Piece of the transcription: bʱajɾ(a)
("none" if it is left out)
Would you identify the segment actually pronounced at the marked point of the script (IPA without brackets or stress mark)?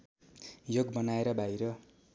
ʌ